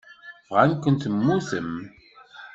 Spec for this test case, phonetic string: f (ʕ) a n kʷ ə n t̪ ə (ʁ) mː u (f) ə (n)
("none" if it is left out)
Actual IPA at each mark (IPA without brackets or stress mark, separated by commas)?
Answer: ʁ, none, θ, m